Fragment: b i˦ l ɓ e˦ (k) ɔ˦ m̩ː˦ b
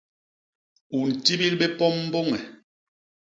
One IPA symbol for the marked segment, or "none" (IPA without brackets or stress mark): p